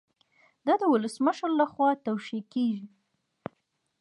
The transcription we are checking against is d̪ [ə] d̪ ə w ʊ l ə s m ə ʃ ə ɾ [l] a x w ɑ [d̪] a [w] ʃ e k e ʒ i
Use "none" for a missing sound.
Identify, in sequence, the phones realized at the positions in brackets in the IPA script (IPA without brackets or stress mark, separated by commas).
ɑ, l, t̪, w